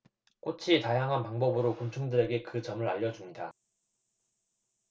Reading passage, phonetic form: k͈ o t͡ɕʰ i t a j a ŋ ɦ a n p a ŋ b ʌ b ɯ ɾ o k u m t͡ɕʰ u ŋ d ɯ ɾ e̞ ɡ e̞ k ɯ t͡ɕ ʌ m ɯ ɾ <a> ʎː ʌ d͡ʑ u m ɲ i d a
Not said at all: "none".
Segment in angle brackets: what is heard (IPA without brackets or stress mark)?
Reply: a